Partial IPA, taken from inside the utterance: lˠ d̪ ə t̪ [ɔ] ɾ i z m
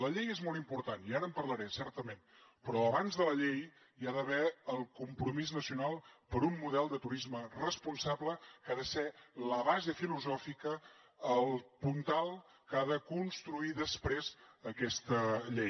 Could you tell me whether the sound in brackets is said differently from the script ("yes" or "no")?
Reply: yes